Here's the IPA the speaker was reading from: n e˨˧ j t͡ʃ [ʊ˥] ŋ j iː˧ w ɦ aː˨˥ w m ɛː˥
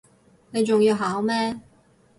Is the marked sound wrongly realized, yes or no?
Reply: yes